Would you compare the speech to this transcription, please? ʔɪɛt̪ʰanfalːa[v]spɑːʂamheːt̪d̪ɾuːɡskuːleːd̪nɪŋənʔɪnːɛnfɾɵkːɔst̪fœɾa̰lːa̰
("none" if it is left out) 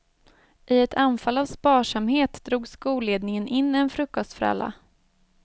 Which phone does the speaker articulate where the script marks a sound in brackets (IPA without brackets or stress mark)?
v